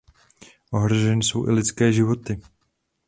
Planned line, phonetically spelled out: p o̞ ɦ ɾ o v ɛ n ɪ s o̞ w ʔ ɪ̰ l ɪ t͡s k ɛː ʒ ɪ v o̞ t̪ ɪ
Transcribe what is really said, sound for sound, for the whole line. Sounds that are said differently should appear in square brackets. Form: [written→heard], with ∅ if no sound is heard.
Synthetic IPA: [p→ʔ] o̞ ɦ ɾ o [v→ʒ] ɛ n ɪ s o̞ w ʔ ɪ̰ l ɪ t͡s k ɛː ʒ ɪ v o̞ t̪ ɪ